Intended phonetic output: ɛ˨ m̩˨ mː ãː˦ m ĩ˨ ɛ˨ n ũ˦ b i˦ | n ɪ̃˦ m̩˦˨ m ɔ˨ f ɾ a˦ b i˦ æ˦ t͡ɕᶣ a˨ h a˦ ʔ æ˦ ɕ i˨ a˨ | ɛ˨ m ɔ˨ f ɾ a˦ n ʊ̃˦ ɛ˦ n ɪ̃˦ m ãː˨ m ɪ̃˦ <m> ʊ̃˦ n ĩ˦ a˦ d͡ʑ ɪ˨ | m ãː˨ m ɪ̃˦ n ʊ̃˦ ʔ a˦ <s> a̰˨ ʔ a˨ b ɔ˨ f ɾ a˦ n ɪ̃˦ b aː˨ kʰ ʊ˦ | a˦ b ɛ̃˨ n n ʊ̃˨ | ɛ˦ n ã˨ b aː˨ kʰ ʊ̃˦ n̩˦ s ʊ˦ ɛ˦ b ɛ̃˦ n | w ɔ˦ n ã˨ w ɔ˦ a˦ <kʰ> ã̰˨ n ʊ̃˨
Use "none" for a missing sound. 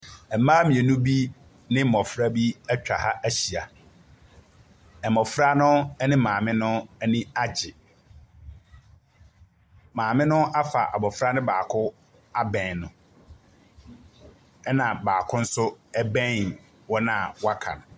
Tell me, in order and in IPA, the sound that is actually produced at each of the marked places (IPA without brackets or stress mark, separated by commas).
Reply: n, f, kʰ